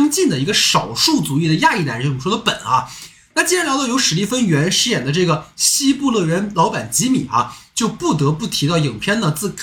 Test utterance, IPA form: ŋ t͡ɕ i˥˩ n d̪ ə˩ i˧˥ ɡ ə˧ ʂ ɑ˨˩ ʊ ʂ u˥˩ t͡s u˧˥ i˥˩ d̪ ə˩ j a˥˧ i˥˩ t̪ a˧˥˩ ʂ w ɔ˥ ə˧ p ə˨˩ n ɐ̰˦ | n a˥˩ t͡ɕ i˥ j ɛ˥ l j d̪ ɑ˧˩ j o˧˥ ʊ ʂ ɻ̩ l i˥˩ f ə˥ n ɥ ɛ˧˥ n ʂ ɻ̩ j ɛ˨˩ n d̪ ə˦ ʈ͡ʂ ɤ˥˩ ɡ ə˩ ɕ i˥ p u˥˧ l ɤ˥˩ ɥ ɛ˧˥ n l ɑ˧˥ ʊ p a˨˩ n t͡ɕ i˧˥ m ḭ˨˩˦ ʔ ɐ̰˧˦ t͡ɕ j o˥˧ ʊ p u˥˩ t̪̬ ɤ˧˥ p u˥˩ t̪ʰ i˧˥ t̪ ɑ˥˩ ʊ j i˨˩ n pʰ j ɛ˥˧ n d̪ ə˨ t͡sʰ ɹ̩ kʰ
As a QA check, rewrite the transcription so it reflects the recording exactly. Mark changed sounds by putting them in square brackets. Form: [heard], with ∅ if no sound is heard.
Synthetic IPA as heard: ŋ t͡ɕ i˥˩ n d̪ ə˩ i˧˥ ɡ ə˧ ʂ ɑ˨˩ ʊ ʂ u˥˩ t͡s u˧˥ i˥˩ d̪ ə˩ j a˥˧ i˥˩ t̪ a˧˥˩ ʂ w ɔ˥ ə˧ p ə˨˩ n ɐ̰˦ | n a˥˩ t͡ɕ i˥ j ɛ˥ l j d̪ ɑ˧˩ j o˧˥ ʊ ʂ ɻ̩ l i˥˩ f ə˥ n ɥ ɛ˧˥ n ʂ ɻ̩ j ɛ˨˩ n d̪ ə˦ ʈ͡ʂ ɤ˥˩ ɡ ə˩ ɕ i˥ p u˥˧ l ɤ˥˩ ɥ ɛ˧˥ n l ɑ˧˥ ʊ p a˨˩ n t͡ɕ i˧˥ m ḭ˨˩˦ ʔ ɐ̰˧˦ t͡ɕ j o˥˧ ʊ p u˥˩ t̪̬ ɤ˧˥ p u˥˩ t̪ʰ i˧˥ t̪ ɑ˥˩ ʊ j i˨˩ [ŋ] pʰ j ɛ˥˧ n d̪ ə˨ [t͡s] ɹ̩ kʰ